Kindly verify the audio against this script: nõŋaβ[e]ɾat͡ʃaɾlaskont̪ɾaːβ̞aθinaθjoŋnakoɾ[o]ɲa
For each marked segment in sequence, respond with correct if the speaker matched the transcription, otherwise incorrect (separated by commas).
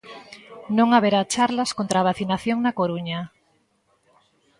correct, incorrect